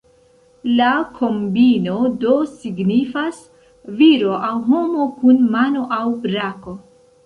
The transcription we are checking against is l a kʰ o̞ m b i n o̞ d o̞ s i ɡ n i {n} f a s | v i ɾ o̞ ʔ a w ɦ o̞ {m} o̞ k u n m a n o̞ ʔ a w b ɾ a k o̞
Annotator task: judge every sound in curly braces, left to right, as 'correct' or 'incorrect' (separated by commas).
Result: incorrect, correct